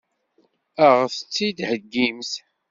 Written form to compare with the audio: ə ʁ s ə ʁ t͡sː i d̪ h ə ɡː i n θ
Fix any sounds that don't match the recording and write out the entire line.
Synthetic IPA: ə ʁ θ ə t͡sː i d̪ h ə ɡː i m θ